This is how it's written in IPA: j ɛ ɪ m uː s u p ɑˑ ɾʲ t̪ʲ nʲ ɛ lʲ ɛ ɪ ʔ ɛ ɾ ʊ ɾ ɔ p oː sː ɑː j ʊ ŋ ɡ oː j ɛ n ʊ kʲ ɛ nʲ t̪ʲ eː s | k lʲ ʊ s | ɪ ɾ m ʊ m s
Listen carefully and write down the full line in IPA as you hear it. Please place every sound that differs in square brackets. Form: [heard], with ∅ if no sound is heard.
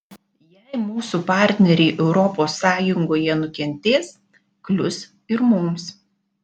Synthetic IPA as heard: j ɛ ɪ m uː s u p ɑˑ ɾʲ t̪ʲ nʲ ɛ [ɾʲ] ɛ ɪ ʔ ɛ [∅] ʊ ɾ ɔ p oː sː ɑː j ʊ ŋ ɡ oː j ɛ n ʊ kʲ ɛ nʲ t̪ʲ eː s | k lʲ ʊ s | ɪ ɾ m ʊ m s